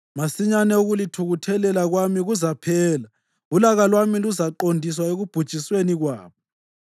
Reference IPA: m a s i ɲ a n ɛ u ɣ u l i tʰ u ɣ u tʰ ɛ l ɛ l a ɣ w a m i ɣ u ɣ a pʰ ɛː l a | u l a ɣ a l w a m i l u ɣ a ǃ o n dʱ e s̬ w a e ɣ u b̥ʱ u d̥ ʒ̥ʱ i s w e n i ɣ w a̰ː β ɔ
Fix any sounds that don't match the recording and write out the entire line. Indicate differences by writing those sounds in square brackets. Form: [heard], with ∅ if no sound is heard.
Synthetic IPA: m a s i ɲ a n ɛ u ɣ u l i tʰ u ɣ u tʰ ɛ l ɛ l a ɣ w a m i ɣ u [z] a pʰ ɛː l a | u l a ɣ a l w a m i l u [z] a ǃ o n dʱ [i] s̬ w a e ɣ u b̥ʱ u d̥ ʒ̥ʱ i s w e n i ɣ w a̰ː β ɔ